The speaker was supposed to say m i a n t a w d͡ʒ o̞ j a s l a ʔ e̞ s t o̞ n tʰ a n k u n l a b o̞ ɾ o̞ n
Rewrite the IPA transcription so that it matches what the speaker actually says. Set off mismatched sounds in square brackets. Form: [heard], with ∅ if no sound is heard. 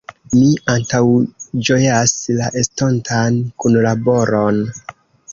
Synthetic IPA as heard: m i a n t a w d͡ʒ o̞ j a s l a ʔ e̞ s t o̞ n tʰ a n k u n l a b o̞ ɾ o̞ n